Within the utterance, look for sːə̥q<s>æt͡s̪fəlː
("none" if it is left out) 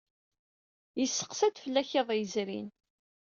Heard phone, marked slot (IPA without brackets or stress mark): s